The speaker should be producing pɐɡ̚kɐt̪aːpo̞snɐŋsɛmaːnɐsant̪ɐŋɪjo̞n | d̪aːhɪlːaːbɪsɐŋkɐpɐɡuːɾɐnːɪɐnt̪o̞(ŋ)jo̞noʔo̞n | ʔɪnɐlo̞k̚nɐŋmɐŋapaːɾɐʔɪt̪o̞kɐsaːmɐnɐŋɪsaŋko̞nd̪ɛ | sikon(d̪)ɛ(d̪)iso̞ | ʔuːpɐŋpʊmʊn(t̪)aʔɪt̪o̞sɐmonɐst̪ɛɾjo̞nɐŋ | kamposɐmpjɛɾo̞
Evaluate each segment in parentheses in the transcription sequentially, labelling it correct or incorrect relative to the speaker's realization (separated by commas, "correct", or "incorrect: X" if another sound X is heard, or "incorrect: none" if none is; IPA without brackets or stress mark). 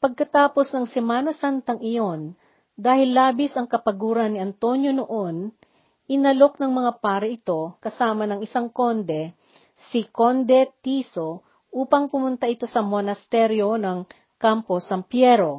incorrect: n, correct, incorrect: t̪, correct